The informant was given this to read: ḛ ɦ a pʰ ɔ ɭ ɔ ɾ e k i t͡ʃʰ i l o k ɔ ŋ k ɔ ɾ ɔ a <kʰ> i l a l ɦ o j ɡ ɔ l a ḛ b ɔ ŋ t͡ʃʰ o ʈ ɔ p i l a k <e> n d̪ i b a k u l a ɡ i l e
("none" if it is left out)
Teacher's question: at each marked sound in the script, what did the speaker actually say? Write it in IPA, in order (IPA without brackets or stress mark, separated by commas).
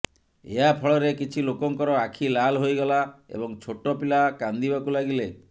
kʰ, a